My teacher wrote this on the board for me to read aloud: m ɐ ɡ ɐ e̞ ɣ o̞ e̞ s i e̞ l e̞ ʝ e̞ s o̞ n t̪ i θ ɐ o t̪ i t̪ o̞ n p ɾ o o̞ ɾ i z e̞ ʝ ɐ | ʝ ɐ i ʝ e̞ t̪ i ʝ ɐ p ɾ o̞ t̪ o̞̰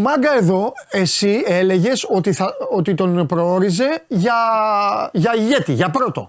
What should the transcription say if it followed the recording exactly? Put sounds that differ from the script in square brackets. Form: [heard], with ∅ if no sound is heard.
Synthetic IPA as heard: m ɐ ɡ ɐ e̞ [ð] o̞ e̞ s i e̞ l e̞ ʝ e̞ s o̞ [∅] t̪ i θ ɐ o t̪ i t̪ o̞ n p ɾ o o̞ ɾ i z e̞ ʝ ɐ | ʝ ɐ i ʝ e̞ t̪ i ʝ ɐ p ɾ o̞ t̪ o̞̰